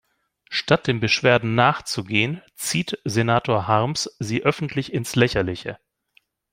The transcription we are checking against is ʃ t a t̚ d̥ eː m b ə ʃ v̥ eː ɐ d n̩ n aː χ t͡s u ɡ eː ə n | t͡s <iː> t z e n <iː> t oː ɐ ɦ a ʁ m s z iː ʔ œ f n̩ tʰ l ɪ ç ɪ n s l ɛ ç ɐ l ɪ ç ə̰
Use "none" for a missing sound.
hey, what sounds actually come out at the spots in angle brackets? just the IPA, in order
iː, aː

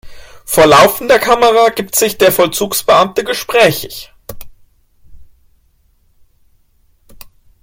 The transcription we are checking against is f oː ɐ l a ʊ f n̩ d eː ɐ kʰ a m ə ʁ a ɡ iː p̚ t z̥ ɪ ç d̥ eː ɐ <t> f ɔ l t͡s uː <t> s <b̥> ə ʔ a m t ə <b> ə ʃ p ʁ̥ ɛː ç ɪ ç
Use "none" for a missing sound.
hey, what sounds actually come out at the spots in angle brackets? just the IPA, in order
none, k, b̥, ɡ

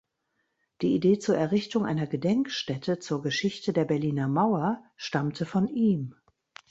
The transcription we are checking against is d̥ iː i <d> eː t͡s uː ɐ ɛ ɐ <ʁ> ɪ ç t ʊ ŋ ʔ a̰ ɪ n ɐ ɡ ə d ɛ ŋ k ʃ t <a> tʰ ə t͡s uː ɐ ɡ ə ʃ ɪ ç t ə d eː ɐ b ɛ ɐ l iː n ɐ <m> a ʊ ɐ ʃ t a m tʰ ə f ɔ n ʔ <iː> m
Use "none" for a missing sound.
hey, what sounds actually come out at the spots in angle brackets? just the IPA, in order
d, ʁ, ɛ, m, iː

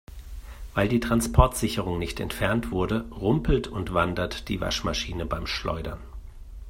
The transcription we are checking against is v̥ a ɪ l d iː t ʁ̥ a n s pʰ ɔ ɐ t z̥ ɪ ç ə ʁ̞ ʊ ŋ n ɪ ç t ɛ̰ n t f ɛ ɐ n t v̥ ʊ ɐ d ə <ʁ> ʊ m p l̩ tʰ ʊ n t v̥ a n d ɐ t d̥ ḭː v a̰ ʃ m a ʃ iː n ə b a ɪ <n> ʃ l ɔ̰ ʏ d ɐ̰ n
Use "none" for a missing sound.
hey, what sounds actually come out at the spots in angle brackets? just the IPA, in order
ʁ, m

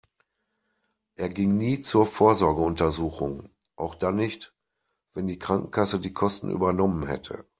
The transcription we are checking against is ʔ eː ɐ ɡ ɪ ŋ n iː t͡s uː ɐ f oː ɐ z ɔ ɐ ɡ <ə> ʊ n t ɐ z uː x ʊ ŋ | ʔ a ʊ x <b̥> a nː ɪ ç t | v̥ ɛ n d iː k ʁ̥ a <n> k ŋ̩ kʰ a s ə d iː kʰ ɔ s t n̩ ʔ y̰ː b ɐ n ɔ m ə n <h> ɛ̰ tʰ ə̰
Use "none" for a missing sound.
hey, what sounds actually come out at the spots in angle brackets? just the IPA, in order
ə, d̥, ŋ, h

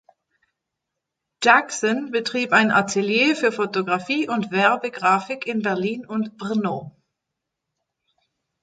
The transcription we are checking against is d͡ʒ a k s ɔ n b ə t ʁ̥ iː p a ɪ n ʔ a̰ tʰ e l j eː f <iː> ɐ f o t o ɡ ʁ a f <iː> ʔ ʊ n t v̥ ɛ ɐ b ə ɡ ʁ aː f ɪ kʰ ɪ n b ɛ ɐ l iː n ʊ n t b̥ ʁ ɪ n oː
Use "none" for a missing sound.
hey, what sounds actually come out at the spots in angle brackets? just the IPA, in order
yː, iː

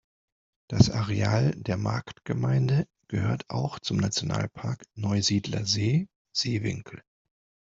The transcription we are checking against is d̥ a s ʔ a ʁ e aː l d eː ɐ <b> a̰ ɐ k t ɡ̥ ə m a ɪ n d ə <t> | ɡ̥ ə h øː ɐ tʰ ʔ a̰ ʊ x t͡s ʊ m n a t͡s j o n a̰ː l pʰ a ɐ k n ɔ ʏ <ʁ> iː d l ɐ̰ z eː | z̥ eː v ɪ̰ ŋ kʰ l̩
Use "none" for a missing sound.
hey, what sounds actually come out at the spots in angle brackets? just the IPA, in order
m, none, z

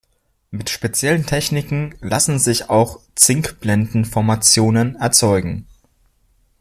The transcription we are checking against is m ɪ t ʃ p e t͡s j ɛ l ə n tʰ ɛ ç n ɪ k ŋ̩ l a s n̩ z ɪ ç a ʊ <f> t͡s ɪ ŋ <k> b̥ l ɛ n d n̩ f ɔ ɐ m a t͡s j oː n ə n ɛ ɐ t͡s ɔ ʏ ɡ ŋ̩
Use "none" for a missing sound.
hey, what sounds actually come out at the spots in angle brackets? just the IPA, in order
x, k

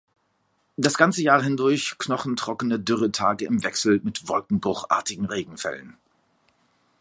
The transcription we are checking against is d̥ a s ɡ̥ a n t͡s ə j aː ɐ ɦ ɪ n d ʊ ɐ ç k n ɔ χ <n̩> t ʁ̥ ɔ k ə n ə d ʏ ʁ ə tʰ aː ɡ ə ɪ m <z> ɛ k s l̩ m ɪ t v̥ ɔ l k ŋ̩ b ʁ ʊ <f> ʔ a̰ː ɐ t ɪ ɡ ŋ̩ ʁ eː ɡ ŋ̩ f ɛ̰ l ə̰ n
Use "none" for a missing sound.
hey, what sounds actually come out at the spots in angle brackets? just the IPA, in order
n̩, v, χ

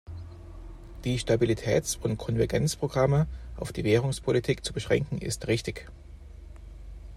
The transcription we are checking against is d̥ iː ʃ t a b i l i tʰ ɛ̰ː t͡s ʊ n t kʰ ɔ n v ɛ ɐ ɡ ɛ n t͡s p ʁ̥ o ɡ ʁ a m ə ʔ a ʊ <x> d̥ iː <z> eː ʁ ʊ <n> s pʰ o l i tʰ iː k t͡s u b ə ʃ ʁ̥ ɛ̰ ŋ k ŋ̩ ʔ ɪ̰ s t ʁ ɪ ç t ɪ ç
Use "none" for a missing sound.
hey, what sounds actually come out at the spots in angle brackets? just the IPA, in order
f, v, ŋ

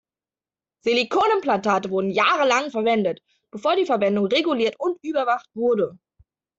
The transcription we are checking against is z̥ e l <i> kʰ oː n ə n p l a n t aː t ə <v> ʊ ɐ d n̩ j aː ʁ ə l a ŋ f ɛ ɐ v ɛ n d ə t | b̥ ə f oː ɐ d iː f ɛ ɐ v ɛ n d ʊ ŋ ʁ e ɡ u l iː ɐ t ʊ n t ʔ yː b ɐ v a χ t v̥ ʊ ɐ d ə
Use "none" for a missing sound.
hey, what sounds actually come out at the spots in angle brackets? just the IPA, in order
i, v

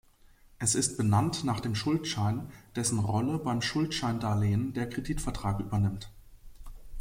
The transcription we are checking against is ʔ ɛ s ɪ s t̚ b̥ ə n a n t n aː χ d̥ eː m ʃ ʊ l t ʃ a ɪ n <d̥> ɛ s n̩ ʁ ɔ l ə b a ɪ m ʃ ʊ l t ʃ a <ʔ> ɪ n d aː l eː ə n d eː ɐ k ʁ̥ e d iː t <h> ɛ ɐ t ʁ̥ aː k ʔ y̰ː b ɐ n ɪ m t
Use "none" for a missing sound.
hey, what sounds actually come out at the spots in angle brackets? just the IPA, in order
d̥, none, f

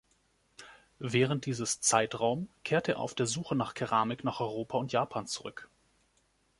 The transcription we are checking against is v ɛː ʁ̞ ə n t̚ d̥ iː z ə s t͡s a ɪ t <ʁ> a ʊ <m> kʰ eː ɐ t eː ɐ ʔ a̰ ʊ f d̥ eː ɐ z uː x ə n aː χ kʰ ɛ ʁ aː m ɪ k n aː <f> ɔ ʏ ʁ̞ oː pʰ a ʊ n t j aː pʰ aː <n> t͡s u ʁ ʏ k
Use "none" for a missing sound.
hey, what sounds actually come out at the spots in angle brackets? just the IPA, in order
ʁ, m, χ, n

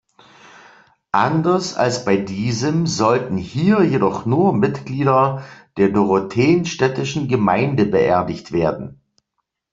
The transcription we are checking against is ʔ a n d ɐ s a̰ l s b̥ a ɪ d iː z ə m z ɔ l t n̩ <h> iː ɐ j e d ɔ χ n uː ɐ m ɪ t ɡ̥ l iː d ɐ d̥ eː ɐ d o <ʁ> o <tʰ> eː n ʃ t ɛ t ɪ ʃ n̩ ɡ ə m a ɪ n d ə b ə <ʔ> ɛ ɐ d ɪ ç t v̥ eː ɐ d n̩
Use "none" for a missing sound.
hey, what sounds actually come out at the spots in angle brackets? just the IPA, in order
h, ʁ, tʰ, ʔ

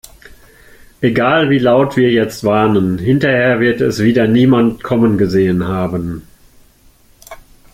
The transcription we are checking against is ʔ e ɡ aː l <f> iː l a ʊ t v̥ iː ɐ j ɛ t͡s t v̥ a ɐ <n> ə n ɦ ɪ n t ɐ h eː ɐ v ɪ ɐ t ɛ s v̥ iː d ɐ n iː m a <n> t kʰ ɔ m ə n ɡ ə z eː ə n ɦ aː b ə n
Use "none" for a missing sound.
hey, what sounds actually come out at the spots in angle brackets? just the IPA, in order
v, n, n

